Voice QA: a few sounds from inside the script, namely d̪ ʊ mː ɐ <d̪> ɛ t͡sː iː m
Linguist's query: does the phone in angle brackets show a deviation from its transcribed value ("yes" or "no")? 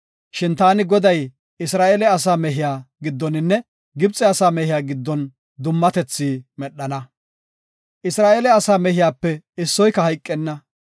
yes